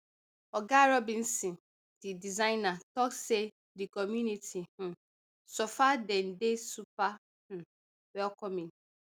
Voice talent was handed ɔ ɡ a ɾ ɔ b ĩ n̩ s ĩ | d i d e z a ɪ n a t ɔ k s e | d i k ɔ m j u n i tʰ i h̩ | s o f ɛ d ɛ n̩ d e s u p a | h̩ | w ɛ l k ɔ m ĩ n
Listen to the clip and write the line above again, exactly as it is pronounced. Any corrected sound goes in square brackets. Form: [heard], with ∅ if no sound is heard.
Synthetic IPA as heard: ɔ ɡ a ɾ ɔ b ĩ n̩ s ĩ | d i d [i] z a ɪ n a t ɔ k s e | d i k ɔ m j u n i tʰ i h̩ | s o f [a] d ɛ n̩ d e s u p a | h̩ | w ɛ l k ɔ m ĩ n

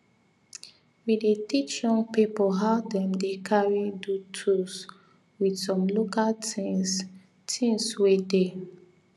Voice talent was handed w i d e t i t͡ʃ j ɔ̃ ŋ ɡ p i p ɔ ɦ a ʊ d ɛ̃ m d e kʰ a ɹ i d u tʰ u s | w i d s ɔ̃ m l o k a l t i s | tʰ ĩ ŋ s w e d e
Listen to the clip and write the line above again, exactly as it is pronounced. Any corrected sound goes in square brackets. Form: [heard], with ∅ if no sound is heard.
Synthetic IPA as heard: w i d e t i t͡ʃ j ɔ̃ ŋ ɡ p i p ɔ ɦ a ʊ d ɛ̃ m d e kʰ a ɹ i d u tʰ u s | w i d s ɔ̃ m l o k a l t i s | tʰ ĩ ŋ s w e d e

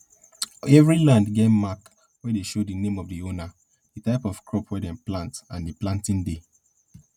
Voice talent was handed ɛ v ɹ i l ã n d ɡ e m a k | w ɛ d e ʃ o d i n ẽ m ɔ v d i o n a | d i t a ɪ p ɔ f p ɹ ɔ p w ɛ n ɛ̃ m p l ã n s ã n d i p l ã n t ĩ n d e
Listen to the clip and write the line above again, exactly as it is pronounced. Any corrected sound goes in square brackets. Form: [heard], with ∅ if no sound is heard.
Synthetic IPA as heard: ɛ v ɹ i l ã n d ɡ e m a k | w ɛ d e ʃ o d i n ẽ m ɔ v d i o n a | d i t a ɪ p ɔ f [k] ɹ ɔ p w ɛ [d] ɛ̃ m p l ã n [t] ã n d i p l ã n t ĩ n d e

